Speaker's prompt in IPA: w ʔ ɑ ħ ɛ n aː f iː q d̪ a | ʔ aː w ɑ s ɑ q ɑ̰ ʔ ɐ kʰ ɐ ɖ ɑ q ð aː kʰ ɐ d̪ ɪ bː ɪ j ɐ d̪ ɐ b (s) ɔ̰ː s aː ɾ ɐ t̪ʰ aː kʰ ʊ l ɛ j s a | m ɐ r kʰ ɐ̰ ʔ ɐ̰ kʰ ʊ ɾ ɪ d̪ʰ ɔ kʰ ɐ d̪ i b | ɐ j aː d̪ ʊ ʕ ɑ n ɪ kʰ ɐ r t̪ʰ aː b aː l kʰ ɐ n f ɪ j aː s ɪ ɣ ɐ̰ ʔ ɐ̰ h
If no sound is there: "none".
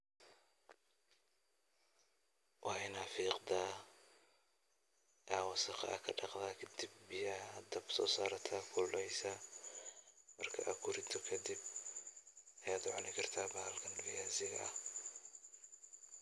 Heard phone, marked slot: s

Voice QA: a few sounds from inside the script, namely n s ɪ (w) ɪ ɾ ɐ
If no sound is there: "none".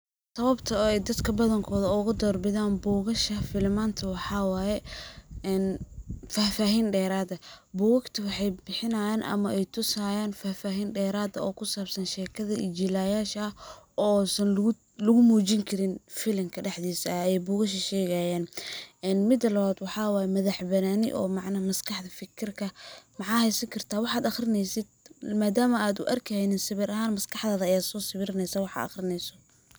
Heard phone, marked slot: β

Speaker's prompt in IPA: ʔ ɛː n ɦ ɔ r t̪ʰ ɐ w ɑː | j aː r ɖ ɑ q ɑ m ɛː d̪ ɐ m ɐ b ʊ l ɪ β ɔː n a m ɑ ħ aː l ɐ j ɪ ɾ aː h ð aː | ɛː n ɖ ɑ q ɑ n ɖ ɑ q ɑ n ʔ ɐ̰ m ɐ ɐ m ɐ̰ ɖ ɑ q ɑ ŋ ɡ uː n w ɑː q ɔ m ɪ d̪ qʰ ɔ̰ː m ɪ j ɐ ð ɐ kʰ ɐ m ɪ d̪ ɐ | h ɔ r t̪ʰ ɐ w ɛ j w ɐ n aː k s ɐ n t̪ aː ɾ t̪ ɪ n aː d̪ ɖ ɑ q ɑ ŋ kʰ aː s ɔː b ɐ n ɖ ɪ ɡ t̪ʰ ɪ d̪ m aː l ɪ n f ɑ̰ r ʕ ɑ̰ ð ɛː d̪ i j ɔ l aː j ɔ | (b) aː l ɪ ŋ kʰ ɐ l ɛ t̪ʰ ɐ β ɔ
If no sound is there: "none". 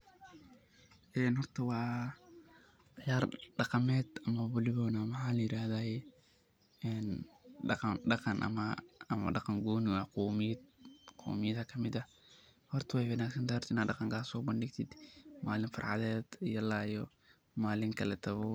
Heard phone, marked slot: m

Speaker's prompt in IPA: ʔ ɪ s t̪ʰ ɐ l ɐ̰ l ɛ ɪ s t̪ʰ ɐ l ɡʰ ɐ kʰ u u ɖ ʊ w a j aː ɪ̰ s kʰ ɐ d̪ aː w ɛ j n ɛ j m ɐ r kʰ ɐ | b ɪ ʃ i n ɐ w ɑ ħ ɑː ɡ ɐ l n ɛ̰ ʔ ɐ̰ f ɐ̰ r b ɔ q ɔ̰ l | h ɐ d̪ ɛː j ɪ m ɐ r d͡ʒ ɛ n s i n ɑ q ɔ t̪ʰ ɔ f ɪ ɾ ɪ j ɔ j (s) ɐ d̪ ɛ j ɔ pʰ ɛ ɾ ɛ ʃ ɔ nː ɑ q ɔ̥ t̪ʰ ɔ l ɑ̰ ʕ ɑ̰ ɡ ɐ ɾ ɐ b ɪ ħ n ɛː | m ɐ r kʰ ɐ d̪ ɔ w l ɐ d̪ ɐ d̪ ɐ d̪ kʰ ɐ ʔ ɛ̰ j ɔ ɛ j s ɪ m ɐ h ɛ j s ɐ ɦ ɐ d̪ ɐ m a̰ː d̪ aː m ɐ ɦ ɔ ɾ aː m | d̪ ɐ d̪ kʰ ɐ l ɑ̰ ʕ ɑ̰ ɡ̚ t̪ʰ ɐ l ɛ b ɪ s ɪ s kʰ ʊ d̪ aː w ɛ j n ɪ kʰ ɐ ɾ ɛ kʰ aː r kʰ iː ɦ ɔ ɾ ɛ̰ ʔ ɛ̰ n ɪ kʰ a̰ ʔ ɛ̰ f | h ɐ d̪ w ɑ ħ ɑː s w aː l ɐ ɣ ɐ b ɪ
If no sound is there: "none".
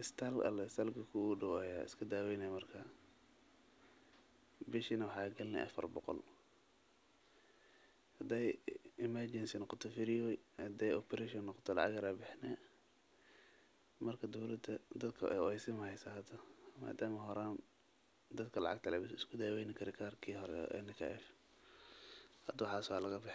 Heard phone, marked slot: h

